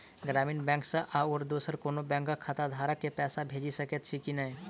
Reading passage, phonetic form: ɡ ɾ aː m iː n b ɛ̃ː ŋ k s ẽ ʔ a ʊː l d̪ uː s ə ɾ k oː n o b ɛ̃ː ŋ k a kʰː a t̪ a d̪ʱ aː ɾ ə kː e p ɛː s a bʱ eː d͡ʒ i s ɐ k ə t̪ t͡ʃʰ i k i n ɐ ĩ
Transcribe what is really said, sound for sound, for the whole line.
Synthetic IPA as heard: ɡ ɾ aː m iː n b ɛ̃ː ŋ k s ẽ ʔ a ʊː ɾ d̪ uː s ə ɾ k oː n o b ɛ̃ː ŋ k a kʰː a t̪ a d̪ʱ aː ɾ ə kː e p ɛː s a bʱ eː d͡ʒ i s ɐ k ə t̪ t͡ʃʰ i k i n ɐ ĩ